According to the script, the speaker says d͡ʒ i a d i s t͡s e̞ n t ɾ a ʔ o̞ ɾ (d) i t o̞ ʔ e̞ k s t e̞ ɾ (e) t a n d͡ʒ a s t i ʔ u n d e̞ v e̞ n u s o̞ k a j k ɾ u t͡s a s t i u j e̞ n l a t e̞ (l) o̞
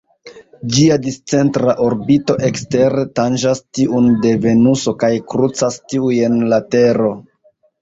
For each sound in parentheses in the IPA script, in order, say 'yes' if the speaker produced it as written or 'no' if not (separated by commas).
no, yes, no